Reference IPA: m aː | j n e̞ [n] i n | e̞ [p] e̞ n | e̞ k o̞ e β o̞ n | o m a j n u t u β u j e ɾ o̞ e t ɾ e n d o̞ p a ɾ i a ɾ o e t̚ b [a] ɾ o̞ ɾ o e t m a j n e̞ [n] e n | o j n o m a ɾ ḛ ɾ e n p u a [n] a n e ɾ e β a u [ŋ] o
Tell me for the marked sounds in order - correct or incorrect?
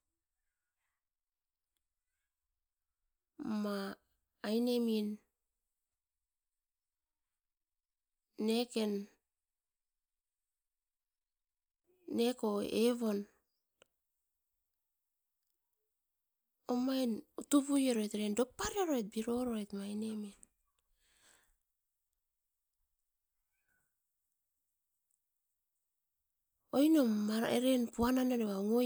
incorrect, incorrect, incorrect, incorrect, correct, correct

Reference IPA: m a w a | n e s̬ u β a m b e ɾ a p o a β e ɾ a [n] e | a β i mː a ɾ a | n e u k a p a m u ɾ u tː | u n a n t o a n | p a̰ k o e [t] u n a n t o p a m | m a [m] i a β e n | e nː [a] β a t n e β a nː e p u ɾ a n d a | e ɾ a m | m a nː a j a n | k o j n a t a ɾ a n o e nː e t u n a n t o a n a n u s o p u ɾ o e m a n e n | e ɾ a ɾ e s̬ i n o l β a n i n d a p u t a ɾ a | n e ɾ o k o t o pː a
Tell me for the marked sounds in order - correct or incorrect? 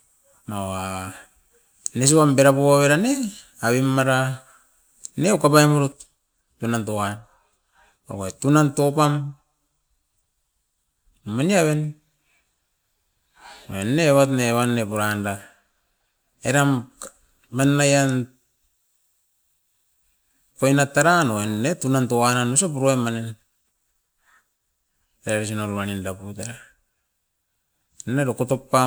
correct, correct, incorrect, incorrect

